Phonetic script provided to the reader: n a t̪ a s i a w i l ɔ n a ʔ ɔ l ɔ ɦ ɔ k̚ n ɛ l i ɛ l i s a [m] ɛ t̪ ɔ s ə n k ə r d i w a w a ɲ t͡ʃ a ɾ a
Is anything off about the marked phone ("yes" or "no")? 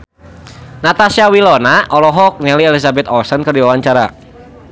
yes